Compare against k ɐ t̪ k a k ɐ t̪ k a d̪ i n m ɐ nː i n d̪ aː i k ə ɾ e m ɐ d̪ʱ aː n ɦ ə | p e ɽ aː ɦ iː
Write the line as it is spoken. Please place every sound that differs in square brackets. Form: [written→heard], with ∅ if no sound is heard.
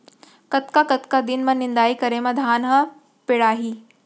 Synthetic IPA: k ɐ t̪ k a k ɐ t̪ k a d̪ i n m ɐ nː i n d̪ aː i k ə ɾ e m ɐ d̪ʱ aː n ɦ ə | p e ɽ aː ɦ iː